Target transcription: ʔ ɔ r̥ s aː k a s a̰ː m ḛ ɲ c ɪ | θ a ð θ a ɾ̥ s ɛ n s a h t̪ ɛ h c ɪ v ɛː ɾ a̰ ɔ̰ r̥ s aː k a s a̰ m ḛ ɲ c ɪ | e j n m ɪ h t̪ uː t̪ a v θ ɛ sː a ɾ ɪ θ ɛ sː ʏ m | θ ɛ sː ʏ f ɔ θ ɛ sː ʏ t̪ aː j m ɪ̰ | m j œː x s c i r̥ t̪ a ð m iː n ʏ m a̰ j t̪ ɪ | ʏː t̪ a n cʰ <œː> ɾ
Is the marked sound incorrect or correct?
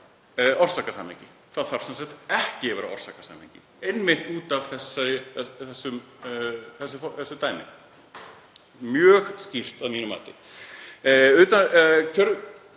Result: incorrect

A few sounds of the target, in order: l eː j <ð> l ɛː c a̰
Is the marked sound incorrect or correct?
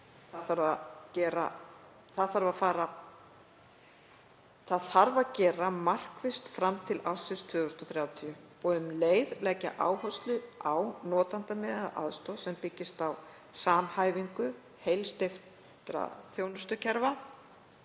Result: correct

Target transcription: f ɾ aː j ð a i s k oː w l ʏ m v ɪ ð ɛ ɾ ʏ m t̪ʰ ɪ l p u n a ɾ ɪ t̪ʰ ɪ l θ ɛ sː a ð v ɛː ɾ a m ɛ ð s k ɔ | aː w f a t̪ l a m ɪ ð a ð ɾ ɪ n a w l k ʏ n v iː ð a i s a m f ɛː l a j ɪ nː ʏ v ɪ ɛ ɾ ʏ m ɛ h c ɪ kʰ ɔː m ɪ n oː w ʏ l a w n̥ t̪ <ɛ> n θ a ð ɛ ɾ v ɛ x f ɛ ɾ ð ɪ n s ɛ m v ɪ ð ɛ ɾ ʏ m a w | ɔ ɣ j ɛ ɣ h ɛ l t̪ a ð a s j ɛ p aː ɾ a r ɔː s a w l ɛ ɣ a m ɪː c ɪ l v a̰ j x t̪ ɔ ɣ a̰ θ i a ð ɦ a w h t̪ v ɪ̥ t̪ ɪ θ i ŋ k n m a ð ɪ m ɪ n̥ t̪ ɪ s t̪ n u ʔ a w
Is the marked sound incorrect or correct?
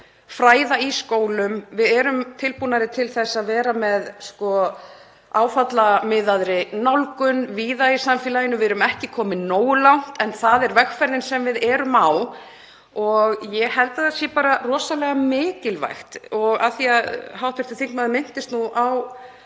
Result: correct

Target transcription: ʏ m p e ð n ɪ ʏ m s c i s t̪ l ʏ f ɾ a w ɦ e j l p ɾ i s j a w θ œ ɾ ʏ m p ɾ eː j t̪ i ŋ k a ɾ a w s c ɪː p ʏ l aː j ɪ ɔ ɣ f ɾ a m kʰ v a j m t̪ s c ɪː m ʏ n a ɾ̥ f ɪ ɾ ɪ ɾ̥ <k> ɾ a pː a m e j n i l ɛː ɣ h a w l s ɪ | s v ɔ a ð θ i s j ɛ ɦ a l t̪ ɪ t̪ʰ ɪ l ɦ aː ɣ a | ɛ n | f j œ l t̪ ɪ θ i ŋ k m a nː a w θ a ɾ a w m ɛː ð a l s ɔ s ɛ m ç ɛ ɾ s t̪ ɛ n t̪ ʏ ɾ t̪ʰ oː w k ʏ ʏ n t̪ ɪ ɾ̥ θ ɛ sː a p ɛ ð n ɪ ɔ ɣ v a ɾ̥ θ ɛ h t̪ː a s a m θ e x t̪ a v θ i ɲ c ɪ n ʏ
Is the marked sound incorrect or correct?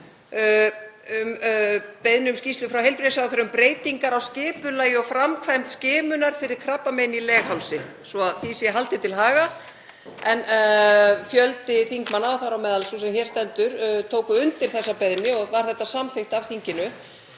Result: incorrect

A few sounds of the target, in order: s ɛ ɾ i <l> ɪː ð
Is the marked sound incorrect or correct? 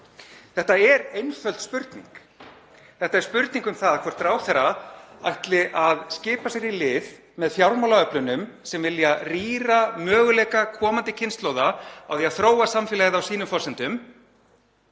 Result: correct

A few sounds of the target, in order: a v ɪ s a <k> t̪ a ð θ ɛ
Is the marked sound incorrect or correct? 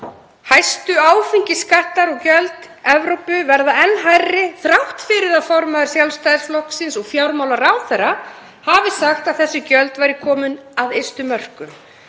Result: incorrect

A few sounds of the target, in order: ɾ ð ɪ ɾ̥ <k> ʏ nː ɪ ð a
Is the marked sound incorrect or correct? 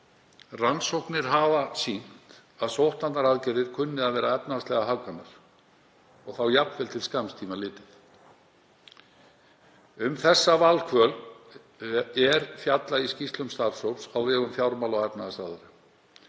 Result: incorrect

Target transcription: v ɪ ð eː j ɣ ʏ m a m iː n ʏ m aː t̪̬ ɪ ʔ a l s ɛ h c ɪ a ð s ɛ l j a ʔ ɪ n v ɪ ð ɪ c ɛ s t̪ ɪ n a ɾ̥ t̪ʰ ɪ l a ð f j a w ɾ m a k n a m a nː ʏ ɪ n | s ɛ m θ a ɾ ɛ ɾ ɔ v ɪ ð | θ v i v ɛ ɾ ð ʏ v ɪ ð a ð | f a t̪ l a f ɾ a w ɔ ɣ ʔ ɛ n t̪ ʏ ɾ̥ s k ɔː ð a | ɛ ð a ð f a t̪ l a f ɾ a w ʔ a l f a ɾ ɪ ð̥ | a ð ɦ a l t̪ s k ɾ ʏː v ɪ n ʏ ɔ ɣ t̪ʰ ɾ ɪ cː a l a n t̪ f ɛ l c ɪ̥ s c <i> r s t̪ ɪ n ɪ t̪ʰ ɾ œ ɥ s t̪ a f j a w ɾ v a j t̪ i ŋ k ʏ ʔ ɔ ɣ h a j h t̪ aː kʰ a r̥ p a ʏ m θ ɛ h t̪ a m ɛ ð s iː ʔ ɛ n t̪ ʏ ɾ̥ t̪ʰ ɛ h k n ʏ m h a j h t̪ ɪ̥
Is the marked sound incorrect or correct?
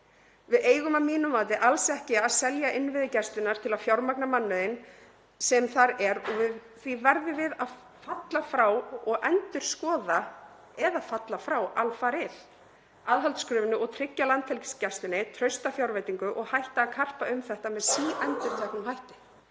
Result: incorrect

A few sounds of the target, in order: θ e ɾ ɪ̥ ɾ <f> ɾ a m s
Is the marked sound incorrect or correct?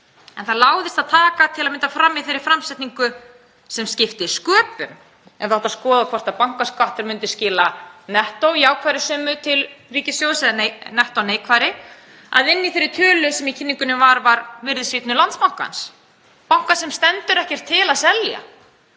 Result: correct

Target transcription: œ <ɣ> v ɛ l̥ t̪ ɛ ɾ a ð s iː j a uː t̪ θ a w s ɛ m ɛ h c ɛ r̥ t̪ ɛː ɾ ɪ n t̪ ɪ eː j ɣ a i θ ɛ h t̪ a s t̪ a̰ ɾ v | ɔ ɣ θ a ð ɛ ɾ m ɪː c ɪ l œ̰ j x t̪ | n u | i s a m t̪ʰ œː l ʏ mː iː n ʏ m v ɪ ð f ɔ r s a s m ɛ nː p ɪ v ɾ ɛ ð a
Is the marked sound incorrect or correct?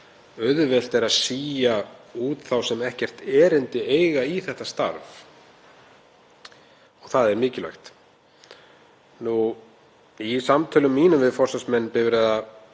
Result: incorrect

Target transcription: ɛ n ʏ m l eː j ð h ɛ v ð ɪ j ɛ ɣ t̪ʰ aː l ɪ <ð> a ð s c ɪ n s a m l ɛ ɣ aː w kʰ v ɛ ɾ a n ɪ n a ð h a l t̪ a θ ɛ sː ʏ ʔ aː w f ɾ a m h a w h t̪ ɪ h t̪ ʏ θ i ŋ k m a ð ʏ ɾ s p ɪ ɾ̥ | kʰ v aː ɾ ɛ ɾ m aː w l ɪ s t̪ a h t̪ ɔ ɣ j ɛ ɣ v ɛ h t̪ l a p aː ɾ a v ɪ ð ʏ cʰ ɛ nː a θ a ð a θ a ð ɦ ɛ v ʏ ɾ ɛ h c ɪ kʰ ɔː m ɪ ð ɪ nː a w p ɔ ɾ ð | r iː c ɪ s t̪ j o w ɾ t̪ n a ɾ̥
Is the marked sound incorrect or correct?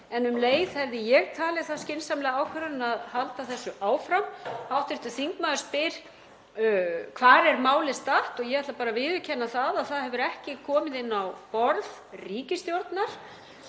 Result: incorrect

